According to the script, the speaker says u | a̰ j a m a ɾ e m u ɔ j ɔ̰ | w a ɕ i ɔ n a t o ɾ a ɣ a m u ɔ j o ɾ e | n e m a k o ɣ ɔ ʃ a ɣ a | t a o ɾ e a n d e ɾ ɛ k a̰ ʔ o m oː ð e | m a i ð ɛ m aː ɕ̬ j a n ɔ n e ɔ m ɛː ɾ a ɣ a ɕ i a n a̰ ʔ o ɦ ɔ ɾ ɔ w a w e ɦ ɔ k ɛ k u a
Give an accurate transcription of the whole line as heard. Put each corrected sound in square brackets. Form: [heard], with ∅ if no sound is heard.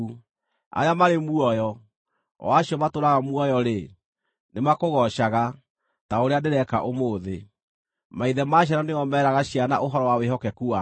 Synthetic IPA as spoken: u | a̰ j a m a ɾ e m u ɔ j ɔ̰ | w a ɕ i ɔ [m] a t o ɾ a ɣ a m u ɔ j [ɔ] ɾ e | n e m a k o ɣ ɔ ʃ a ɣ a | t a o ɾ e a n d e ɾ ɛ k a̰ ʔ o m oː ð e | m a i ð ɛ m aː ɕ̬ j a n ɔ n e ɔ m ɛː ɾ a ɣ a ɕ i a n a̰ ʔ o ɦ ɔ ɾ ɔ w a w e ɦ ɔ k ɛ k u a